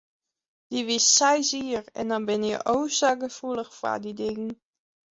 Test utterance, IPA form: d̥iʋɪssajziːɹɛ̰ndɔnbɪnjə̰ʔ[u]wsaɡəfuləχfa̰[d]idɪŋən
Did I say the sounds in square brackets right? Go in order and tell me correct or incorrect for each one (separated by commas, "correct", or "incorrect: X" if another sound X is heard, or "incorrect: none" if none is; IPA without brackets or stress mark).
incorrect: o, correct